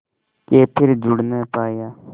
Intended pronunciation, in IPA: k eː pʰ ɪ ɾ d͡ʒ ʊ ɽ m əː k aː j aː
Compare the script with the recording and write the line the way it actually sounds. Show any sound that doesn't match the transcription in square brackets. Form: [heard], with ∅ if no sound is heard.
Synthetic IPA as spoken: k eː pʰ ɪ ɾ d͡ʒ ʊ ɽ [n] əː [p] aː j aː